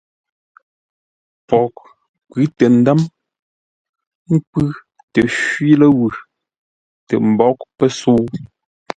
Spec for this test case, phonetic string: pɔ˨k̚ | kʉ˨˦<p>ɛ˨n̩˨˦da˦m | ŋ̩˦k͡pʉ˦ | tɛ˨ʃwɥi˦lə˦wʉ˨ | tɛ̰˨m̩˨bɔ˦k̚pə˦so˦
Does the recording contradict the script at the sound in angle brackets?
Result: yes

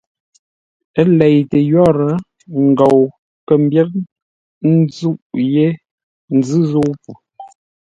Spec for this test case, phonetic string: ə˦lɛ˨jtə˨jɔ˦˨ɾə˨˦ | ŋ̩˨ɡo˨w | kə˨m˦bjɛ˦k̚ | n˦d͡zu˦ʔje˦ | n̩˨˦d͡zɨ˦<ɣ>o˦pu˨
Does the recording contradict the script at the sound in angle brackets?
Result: yes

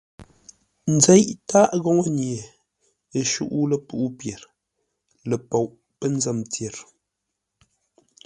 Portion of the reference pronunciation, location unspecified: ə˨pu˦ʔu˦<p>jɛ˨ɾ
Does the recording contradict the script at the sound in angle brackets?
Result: no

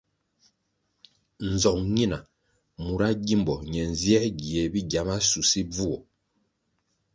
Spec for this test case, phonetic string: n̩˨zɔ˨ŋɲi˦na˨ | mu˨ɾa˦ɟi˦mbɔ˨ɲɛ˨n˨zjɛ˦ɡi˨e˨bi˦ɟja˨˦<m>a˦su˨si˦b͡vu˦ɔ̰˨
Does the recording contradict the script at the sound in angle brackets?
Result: no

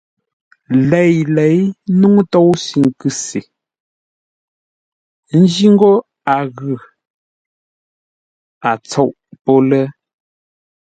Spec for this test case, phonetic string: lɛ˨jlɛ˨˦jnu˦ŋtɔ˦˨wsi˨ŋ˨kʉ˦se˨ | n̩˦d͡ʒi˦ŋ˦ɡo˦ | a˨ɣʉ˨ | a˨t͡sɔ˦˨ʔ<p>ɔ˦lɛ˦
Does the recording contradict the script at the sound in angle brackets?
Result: no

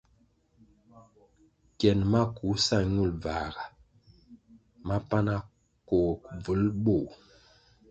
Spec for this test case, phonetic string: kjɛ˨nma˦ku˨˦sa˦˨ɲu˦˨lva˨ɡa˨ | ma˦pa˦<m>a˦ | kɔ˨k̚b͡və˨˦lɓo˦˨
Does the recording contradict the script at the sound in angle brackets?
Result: yes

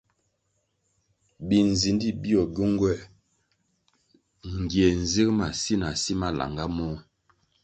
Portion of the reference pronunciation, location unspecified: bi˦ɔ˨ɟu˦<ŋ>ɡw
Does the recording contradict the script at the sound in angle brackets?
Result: no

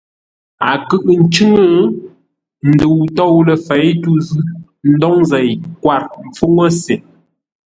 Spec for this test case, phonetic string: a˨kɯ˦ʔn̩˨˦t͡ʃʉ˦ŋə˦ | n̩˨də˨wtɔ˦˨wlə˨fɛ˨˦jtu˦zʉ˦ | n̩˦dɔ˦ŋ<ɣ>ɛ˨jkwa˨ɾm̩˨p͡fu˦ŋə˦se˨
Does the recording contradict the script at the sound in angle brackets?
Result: yes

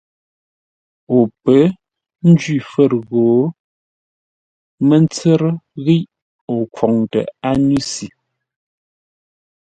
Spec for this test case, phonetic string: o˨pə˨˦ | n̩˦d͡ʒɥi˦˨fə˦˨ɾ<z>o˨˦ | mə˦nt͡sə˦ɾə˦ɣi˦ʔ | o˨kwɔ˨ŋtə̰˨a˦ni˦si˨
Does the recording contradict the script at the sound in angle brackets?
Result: yes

